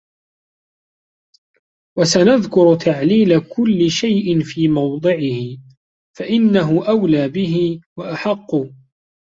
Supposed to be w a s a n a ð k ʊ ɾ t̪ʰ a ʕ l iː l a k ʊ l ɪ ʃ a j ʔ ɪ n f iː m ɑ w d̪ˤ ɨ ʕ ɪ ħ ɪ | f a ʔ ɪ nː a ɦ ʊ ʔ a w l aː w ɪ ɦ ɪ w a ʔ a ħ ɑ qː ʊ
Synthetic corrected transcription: w a s a n a ð k ʊ ɾ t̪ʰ a ʕ l iː l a k ʊ lː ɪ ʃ a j ʔ ɪ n f iː m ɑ w d̪ˤ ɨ ʕ ɪ h ɪ | f a ʔ ɪ nː a ɦ ʊ ʔ a w l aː b ɪ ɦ ɪ w a ʔ a ħ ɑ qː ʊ